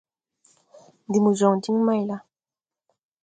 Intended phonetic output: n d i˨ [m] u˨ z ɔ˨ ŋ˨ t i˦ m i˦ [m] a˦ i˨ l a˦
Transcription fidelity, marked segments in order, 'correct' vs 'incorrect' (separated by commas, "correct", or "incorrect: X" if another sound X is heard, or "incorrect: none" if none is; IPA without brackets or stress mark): correct, correct